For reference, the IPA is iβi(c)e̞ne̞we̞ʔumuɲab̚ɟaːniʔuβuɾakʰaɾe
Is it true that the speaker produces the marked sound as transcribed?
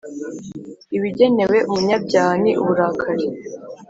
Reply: no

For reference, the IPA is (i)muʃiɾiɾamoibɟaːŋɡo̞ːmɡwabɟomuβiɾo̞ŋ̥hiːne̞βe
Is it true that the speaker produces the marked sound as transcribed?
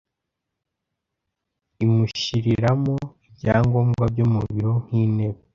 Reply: yes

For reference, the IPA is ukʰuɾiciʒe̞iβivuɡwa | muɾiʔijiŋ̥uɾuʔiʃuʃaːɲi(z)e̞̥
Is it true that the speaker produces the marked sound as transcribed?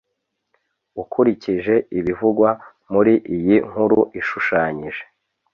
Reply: no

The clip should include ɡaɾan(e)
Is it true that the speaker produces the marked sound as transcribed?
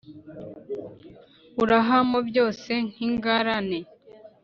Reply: yes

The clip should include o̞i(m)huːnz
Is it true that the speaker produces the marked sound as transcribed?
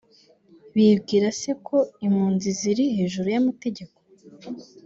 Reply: yes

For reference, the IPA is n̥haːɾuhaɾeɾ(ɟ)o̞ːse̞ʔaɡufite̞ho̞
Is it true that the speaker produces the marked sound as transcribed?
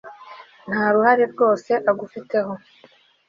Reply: no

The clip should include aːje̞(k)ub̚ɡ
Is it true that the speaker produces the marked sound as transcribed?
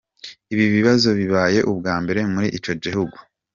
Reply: no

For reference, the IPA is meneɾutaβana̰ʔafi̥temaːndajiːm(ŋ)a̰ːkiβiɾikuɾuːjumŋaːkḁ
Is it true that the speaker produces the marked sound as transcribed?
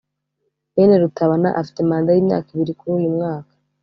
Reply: no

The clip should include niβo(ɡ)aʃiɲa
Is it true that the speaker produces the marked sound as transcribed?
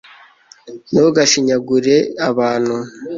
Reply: yes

